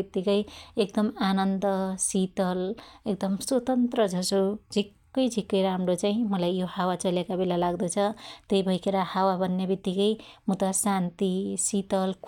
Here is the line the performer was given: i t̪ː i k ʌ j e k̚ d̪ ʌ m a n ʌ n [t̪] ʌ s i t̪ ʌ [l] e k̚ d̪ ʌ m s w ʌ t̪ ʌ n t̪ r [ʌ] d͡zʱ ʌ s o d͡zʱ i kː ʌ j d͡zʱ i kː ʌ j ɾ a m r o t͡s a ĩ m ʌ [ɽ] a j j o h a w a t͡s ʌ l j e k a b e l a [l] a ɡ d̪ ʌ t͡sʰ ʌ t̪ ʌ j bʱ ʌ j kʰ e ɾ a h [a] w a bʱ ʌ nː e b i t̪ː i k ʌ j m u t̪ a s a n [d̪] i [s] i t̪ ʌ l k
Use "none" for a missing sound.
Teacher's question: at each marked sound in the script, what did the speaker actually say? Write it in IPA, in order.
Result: d̪, l, ʌ, l, l, a, t̪, s

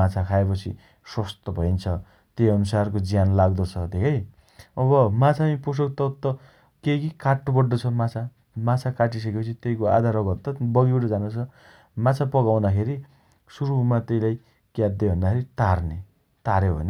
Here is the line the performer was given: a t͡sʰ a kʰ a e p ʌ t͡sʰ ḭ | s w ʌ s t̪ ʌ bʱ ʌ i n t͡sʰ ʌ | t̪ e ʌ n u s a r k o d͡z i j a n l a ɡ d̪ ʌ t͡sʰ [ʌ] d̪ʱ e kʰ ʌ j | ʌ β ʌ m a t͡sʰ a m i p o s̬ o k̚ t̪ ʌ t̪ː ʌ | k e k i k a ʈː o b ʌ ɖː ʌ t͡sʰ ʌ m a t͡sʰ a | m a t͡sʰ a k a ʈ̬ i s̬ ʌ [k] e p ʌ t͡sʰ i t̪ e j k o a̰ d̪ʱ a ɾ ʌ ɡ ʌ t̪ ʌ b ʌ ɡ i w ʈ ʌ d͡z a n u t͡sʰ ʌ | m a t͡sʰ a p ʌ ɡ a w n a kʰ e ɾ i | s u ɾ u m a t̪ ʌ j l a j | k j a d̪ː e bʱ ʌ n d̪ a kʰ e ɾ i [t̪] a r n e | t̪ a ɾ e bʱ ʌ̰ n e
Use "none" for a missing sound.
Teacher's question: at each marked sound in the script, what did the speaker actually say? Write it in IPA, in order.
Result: ʌ, k, t̪

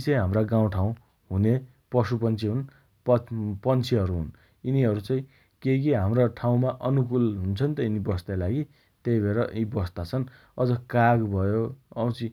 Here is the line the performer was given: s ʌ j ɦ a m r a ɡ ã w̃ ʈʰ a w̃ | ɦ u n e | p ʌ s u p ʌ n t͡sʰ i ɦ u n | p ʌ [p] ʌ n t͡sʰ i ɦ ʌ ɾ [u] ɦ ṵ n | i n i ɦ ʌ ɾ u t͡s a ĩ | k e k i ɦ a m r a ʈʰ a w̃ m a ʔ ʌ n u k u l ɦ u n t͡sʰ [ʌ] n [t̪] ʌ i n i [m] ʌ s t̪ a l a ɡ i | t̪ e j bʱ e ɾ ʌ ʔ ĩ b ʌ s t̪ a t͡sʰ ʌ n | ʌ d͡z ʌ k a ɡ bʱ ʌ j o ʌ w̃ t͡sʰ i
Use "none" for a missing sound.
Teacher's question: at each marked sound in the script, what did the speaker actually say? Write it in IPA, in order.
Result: p, u, ʌ, t̪, b

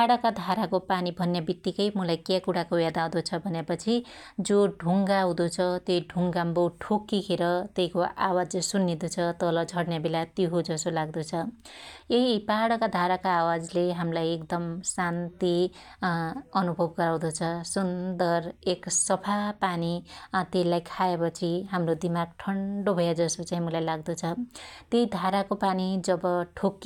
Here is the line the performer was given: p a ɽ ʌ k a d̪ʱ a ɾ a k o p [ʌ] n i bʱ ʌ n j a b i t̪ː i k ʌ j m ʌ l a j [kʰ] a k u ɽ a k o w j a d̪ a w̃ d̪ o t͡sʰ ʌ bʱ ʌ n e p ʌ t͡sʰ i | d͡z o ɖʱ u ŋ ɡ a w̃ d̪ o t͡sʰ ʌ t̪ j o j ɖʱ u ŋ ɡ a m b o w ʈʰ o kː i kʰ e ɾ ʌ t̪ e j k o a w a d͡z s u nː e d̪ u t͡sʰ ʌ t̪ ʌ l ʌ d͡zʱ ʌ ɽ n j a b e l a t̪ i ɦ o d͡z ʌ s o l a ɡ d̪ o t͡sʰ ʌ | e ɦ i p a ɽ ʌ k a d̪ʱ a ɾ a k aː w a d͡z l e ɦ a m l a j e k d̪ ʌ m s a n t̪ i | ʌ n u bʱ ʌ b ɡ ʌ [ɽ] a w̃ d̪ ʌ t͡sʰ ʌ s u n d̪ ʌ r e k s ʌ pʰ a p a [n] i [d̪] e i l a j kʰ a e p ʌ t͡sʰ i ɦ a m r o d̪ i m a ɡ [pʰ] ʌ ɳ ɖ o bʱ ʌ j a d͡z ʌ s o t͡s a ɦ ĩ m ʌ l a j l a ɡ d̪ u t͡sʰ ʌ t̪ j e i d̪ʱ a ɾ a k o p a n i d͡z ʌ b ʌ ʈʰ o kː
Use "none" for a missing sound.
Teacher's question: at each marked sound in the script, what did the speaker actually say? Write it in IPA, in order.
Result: a, k, ɾ, n, t̪, ʈʰ

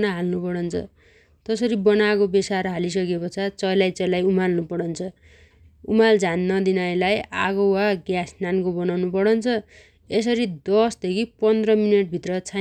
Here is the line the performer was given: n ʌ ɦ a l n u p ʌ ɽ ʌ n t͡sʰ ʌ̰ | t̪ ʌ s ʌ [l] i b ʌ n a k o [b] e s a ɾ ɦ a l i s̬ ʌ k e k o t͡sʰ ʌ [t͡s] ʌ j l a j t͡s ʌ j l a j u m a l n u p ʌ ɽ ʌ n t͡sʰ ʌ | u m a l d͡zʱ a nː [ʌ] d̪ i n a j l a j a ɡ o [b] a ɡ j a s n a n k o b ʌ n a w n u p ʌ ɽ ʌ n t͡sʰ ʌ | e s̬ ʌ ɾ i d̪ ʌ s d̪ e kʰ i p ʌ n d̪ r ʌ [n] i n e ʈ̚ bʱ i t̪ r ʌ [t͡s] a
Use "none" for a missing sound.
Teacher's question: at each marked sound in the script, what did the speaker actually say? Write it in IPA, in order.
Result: ɾ, b, t͡s, ʌ, w, m, t͡sʰ

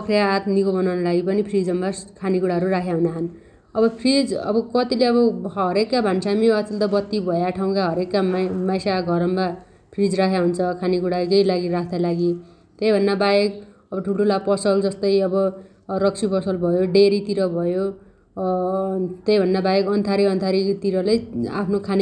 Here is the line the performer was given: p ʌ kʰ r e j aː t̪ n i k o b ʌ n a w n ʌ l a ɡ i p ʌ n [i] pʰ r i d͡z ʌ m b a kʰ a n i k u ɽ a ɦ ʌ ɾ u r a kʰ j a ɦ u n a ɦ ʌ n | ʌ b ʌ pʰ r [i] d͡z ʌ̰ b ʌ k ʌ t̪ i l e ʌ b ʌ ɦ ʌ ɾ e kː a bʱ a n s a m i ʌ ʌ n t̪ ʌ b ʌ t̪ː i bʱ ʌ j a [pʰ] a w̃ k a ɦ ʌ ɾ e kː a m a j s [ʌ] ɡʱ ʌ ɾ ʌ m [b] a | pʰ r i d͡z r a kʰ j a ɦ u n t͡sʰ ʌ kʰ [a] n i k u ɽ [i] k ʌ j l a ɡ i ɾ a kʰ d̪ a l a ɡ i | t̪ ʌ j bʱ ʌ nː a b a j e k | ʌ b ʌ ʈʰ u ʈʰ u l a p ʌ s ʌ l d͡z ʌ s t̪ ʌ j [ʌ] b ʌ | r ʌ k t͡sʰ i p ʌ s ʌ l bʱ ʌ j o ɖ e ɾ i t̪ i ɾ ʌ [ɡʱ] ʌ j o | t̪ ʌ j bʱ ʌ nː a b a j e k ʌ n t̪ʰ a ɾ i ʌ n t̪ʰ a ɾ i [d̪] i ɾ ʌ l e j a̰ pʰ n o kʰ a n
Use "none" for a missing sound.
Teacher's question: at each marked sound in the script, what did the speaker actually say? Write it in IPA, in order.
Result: i, i, ʈʰ, a, b, a, a, ʌ, bʱ, t̪

